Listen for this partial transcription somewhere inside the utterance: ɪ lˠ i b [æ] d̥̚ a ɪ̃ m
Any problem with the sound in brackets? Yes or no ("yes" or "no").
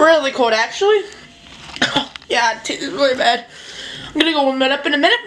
no